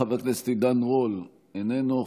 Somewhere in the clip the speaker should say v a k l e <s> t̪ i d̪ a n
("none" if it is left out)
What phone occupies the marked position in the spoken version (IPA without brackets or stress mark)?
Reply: s